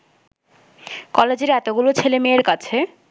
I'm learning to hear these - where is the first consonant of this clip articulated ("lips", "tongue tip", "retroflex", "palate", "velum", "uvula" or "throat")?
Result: velum